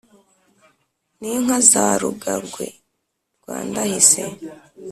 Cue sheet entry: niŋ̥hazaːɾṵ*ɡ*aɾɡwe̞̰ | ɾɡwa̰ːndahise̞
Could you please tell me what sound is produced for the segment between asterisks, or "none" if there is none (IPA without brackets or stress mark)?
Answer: ɡ